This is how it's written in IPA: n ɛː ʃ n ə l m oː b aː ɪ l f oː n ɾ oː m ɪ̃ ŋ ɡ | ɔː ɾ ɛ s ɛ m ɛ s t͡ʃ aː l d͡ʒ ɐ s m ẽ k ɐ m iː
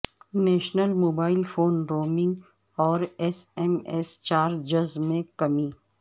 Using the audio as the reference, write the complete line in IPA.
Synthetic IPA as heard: n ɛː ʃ n ə l m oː b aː ɪ l f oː n ɾ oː m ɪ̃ ŋ ɡ | ɔː ɾ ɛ s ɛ m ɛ s t͡ʃ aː ɾ d͡ʒ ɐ z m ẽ k ɐ m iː